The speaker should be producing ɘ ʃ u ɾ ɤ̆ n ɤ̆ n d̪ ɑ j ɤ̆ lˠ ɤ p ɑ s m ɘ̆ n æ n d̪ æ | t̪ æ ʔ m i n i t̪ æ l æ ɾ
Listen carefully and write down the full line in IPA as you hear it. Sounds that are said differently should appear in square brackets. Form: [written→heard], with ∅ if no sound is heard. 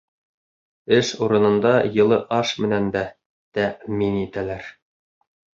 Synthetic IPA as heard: ɘ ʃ u ɾ ɤ̆ n ɤ̆ n d̪ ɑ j ɤ̆ lˠ ɤ [p→ʔ] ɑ [s→ʃ] m ɘ̆ n æ n d̪ æ | t̪ æ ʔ m i n i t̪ æ l æ ɾ

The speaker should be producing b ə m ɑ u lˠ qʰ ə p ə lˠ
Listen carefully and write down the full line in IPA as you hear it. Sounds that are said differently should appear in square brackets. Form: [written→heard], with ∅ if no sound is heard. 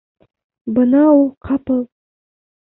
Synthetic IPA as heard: b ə [m→n] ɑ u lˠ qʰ [ə→ɑ] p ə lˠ

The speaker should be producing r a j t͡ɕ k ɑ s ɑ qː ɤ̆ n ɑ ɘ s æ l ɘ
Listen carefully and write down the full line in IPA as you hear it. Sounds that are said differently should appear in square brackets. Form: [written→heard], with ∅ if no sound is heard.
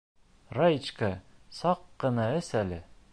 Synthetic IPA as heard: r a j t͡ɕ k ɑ s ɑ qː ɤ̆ n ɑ ɘ s æ l ɘ

